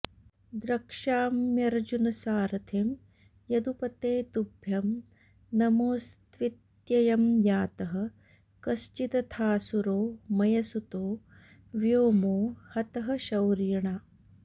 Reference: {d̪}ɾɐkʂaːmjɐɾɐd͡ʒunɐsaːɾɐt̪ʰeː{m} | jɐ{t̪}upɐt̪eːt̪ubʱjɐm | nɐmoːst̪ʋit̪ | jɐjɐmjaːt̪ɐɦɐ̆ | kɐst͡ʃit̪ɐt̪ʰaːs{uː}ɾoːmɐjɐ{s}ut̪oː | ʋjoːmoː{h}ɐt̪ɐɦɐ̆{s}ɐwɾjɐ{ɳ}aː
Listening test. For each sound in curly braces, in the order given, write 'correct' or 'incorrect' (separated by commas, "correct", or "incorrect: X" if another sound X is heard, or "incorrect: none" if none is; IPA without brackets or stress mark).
correct, correct, incorrect: d̪, incorrect: u, correct, correct, incorrect: ʃ, correct